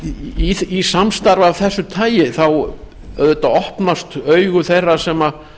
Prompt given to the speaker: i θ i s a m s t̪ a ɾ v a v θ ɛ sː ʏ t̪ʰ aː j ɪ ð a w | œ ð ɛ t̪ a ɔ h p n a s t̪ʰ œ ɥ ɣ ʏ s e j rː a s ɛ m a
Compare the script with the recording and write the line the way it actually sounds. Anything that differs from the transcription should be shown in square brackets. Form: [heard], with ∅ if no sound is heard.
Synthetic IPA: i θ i s a m s t̪ a ɾ v a v θ ɛ sː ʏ t̪ʰ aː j ɪ [θ] a w | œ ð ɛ t̪ a ɔ h p n a s [t̪] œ ɥ ɣ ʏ [θ] e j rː a s ɛ m a